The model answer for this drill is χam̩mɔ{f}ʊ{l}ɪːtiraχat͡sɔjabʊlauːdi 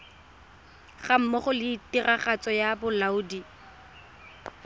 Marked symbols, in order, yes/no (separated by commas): no, yes